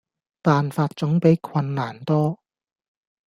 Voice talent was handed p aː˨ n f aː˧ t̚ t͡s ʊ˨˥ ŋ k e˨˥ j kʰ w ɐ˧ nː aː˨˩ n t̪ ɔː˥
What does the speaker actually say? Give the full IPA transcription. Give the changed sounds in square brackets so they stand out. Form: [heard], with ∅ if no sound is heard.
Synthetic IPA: p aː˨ n f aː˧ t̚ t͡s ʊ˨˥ ŋ [p] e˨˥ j kʰ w ɐ˧ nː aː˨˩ n t̪ ɔː˥